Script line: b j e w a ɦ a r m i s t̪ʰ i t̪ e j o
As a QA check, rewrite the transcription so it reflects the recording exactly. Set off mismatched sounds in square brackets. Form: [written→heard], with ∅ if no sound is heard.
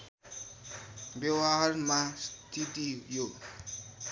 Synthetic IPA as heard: b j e w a ɦ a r m [i→a] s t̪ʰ i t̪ [e→i] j o